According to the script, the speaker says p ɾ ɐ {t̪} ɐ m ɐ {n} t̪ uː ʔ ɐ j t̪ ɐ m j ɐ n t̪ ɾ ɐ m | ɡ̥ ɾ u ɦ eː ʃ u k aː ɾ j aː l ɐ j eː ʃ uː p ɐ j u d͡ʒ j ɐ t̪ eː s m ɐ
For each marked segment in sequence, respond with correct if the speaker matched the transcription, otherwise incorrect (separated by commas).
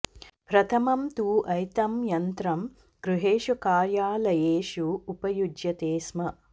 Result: incorrect, incorrect